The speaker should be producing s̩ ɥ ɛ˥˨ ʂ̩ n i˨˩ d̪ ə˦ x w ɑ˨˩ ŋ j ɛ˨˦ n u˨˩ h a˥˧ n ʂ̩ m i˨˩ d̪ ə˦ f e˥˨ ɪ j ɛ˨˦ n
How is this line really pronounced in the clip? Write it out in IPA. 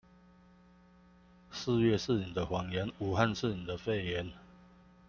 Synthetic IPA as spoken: s̩ ɥ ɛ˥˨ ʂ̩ n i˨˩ d̪ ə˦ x w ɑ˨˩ ŋ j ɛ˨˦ n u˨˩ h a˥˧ n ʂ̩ n i˨˩ d̪ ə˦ f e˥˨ ɪ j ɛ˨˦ n